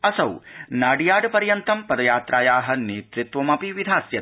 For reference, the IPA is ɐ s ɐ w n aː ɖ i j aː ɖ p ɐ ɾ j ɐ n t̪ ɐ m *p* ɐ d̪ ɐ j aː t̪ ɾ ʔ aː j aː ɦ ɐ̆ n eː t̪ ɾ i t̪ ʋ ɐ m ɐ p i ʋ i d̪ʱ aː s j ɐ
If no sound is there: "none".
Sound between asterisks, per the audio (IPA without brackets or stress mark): p